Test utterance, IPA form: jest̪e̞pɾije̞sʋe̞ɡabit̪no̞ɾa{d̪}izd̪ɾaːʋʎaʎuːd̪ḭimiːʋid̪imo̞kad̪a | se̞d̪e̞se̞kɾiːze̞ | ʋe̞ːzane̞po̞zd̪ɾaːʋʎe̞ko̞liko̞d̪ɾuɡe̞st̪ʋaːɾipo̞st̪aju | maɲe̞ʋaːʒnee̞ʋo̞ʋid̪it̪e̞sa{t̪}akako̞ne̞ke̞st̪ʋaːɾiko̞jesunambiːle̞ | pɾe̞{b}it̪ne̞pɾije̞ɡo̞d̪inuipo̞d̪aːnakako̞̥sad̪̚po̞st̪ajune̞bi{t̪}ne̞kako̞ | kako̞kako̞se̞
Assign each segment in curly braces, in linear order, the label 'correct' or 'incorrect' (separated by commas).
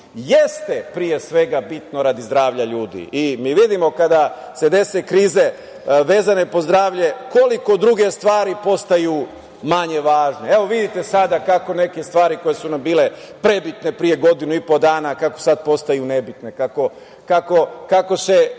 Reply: correct, incorrect, correct, correct